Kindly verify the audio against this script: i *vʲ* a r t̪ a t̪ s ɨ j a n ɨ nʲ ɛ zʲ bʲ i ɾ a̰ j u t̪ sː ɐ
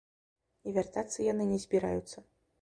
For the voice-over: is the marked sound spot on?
yes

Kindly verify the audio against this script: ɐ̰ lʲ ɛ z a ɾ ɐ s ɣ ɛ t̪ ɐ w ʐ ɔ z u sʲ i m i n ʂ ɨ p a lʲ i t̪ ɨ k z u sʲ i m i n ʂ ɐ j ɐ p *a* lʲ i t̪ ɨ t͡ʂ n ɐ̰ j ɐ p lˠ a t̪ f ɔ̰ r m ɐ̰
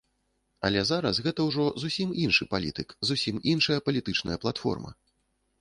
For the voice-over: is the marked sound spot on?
no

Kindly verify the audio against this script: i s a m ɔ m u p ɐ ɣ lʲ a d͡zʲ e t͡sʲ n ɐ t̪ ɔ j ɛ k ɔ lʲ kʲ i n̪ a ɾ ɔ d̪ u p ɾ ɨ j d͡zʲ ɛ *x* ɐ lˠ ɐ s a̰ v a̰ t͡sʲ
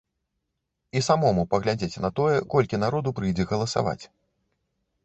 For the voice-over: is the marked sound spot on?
no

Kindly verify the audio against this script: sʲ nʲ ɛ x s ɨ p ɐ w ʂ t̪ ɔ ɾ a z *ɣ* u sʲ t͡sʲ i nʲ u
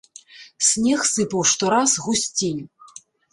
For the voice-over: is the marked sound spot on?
yes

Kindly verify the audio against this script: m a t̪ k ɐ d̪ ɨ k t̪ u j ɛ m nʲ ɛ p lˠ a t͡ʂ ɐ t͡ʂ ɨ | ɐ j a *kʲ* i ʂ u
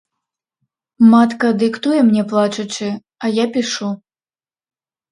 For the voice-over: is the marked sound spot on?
no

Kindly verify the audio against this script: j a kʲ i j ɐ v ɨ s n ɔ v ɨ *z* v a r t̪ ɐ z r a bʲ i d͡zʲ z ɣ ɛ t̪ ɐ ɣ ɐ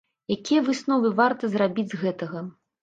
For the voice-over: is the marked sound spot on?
no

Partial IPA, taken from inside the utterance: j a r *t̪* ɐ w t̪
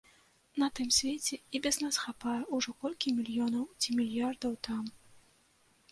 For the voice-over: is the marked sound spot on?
no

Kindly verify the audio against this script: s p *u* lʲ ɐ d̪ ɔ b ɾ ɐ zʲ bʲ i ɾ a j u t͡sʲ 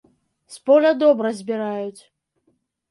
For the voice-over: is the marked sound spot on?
no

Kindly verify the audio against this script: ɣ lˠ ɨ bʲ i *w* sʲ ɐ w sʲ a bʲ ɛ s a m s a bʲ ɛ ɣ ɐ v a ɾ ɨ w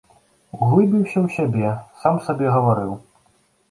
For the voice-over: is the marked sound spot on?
yes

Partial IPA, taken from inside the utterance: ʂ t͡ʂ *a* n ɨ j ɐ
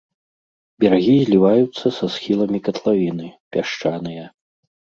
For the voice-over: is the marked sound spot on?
yes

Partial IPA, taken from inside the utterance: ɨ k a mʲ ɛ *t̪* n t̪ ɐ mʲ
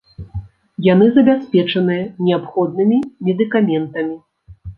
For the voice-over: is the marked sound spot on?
no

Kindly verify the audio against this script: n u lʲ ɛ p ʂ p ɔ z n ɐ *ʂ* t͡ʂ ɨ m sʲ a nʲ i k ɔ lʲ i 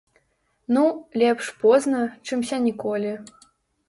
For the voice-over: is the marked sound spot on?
no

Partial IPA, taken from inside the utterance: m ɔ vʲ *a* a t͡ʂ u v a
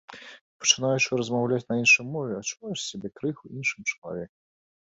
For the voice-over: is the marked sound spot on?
no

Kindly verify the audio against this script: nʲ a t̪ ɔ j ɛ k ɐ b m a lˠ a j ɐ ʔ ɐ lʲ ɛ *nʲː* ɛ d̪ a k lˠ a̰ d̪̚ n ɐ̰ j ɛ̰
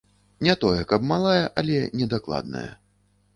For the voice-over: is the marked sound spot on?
no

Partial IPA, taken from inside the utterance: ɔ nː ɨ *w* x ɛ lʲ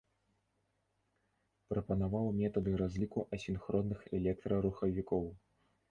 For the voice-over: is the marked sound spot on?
no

